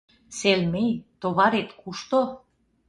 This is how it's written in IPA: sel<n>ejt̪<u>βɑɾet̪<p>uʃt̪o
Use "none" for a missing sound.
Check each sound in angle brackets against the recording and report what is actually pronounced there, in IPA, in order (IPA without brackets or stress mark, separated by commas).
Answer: m, o, k